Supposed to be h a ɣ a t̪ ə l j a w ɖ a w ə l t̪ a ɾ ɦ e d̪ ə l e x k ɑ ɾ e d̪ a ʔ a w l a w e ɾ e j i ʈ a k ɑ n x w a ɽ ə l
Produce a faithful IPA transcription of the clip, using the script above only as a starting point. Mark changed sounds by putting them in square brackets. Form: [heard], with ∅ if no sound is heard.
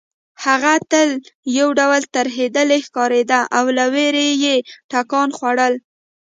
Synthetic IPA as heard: h a ɣ a t̪ ə l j a w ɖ a w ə l t̪ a ɾ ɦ e d̪ ə l e x k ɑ ɾ e d̪ a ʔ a w l a w e ɾ e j [e] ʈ a k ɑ n x w a ɽ ə l

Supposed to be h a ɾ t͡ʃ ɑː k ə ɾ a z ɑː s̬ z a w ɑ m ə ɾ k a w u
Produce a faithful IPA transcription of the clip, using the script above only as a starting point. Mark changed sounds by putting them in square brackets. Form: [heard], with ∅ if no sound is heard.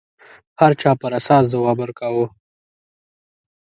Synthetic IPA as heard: h a ɾ t͡ʃ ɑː [p] ə ɾ a [s] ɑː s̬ z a w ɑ [b] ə ɾ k a w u

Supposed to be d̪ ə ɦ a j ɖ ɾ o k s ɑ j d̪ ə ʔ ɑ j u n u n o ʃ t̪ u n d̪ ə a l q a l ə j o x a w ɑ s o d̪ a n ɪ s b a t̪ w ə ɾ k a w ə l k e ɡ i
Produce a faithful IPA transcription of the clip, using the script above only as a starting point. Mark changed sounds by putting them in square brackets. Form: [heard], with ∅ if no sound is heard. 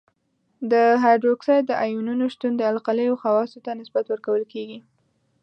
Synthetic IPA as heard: d̪ ə ɦ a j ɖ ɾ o k s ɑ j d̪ ə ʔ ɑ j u n u n o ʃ t̪ u n d̪ ə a l q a l ə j o x a w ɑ s o [t̪] a n ɪ s b a t̪ w ə ɾ k a w ə l k e ɡ i

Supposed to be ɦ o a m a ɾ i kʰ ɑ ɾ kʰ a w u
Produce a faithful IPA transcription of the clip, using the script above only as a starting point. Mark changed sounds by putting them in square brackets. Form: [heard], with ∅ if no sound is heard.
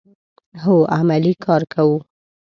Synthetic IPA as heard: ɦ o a m a [l] i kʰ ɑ ɾ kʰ a w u

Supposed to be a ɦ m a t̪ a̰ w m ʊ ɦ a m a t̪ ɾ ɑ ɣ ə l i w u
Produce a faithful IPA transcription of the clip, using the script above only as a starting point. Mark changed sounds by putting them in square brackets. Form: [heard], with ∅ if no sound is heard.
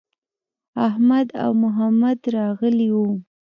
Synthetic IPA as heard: a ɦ m a [d̪] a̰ w m ʊ ɦ a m a [d̪] ɾ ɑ ɣ ə l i w u

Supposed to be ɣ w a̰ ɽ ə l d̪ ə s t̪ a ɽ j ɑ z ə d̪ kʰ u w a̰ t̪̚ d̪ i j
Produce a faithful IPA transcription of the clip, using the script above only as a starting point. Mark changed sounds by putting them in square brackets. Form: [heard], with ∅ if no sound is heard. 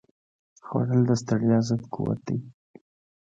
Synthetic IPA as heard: [x] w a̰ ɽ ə l d̪ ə s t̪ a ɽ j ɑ z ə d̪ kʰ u w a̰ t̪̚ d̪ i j

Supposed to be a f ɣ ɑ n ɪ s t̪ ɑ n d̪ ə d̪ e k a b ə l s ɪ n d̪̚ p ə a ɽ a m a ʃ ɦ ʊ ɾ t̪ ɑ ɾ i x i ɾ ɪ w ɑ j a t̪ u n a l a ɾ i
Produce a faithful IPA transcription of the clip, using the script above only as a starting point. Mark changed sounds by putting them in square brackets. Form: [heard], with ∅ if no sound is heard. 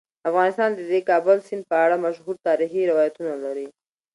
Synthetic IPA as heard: a f ɣ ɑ n ɪ s t̪ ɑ n d̪ ə d̪ e k [ɑ] b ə l s ɪ n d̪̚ p ə a ɽ a m a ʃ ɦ [u] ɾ t̪ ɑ ɾ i x i ɾ ɪ w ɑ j a t̪ u n a l a ɾ i

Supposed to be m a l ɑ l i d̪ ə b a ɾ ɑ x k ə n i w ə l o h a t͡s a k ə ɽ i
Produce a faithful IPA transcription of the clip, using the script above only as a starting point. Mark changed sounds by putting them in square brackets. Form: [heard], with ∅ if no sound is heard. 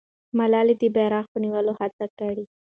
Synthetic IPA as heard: m a l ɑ l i d̪ ə b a ɾ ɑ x [p] ə n i w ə l o h a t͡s a k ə ɽ i

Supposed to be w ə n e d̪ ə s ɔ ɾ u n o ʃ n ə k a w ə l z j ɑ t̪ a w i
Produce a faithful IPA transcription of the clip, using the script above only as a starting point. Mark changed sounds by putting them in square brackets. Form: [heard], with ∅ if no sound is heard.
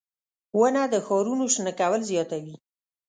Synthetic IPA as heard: w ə n [a] d̪ ə [x] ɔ ɾ u n o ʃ n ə k a w ə l z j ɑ t̪ a w i

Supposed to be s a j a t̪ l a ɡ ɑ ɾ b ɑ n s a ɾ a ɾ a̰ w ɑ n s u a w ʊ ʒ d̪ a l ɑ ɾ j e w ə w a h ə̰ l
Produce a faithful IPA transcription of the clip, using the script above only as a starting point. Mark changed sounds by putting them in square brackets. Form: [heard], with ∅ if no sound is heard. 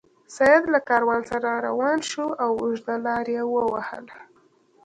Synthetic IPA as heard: s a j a [d̪] l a [k] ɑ ɾ [w] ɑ n s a ɾ a ɾ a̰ w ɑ n [ʃ] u a w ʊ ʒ d̪ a l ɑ ɾ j e w ə w a h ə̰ l

